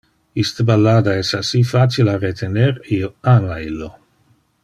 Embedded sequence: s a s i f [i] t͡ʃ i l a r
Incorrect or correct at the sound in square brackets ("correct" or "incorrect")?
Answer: incorrect